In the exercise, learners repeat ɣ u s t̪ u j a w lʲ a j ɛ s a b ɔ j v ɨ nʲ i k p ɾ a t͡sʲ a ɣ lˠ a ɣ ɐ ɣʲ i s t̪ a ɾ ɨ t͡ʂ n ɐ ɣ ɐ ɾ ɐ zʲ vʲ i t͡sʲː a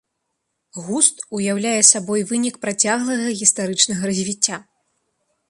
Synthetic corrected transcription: ɣ u s t̪ u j a w lʲ a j ɛ s a b ɔ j v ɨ nʲ i k p ɾ a t͡sʲ a ɣ lˠ ɐ ɣ ɐ ɣʲ i s t̪ a ɾ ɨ t͡ʂ n ɐ ɣ ɐ ɾ ɐ zʲ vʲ i t͡sʲː a